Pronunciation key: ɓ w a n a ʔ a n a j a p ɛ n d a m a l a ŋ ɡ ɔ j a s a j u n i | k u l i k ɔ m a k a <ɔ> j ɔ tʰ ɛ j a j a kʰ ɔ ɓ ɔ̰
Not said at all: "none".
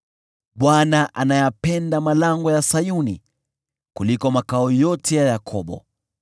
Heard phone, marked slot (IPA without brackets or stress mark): ɔ